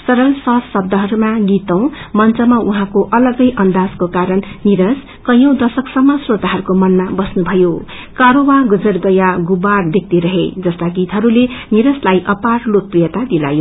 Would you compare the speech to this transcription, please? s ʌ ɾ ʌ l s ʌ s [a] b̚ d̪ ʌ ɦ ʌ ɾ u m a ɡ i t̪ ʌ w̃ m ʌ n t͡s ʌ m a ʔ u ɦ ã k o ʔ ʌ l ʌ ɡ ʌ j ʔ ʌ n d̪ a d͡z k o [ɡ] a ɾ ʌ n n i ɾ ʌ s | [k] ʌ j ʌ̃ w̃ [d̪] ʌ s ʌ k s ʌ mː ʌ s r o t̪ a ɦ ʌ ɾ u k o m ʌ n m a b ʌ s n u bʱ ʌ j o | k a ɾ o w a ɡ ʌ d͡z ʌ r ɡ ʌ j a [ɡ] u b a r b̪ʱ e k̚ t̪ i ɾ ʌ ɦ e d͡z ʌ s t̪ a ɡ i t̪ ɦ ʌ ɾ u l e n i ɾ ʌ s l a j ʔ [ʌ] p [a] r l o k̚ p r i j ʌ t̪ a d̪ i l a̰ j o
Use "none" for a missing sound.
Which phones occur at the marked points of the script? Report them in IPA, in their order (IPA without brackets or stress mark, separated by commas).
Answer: ʌ, k, k, d̪, ɡ, ʌ, a